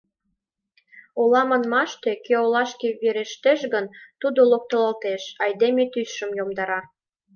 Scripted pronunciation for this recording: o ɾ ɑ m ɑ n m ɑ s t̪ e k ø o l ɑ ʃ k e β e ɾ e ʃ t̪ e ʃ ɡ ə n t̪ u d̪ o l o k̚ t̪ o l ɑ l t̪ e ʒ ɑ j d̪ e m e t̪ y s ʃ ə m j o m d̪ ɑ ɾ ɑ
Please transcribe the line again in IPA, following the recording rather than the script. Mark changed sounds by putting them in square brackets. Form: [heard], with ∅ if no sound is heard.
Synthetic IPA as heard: o [l] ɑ m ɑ n m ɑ [ʃ] t̪ e k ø o l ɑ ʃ k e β e ɾ e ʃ t̪ e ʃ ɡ ə n t̪ u d̪ o l o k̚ t̪ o l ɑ l t̪ e [ʃ] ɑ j d̪ e m e t̪ y s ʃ ə m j o m d̪ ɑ ɾ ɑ

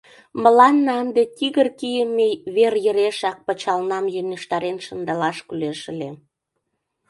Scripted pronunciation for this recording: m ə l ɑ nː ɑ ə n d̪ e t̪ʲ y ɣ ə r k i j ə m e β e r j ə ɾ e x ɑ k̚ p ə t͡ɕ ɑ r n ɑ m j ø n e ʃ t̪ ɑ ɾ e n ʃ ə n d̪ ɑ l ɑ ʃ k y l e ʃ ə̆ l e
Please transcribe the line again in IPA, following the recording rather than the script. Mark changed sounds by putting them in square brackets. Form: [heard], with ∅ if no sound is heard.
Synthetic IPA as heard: m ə l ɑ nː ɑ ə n d̪ e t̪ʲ [i] ɣ ə r k i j ə m e β e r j ə ɾ e [ʃ] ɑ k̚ p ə t͡ɕ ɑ [l] n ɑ m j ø n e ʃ t̪ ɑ ɾ e n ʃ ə n d̪ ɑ l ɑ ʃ k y l e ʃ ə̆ l e

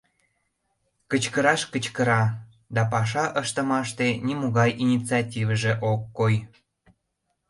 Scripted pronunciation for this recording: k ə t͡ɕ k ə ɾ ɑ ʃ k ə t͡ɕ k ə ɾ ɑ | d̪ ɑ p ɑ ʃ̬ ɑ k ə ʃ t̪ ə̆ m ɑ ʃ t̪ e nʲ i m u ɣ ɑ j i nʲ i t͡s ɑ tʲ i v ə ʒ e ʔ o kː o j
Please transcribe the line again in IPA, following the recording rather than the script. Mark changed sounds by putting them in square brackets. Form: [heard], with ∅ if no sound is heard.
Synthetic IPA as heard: k ə t͡ɕ k ə ɾ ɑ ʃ k ə t͡ɕ k ə ɾ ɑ | d̪ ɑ p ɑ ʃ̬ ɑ [ʔ] ə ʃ t̪ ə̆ m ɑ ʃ t̪ e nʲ i m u ɣ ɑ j i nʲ i t͡s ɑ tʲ i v ə ʒ e ʔ o kː o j

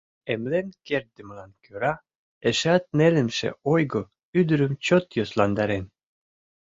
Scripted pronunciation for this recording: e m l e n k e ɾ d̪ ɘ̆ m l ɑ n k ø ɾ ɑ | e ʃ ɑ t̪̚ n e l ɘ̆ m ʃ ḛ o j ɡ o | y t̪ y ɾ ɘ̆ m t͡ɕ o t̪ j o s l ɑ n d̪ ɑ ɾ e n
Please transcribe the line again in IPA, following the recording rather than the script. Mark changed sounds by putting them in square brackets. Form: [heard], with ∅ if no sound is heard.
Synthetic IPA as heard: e m l e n k e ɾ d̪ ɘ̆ m l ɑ n k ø ɾ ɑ | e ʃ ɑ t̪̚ n e l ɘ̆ m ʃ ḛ o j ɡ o | y [d̪] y ɾ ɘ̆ m t͡ɕ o t̪ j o s l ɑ n d̪ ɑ ɾ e n

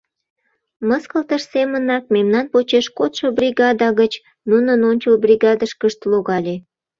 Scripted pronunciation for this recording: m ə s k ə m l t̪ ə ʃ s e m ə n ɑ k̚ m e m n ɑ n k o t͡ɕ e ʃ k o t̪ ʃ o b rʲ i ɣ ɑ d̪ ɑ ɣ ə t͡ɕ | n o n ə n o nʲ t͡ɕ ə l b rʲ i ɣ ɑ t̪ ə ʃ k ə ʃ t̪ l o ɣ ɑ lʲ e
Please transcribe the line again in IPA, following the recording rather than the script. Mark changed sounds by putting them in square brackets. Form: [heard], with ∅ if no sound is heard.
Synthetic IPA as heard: m ə s k ə [∅] l t̪ ə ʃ s e m ə n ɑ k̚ m e m n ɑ n [p] o t͡ɕ e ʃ k o t̪ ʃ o b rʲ i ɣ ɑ d̪ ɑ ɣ ə t͡ɕ | n [u] n ə n o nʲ t͡ɕ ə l b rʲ i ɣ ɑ [d̪] ə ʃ k ə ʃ t̪ l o ɣ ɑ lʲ e

